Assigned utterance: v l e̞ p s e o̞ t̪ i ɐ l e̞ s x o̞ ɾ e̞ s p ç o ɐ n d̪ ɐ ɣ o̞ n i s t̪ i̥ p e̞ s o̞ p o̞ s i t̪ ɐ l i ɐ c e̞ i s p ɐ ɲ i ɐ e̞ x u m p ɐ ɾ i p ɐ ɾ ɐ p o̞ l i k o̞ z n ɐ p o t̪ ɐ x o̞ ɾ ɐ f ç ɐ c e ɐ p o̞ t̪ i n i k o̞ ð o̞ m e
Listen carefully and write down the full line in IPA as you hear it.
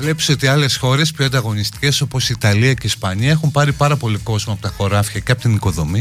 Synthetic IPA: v l e̞ p s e o̞ t̪ i ɐ l e̞ s x o̞ ɾ e̞ s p ç o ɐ n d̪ ɐ ɣ o̞ n i s t̪ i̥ c e̞ s o̞ p o̞ s i t̪ ɐ l i ɐ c e̞ i s p ɐ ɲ i ɐ e̞ x u m p ɐ ɾ i p ɐ ɾ ɐ p o̞ l i k o̞ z m ɐ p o t̪ ɐ x o̞ ɾ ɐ f ç ɐ c e ɐ p o̞ t̪ i n i k o̞ ð o̞ m i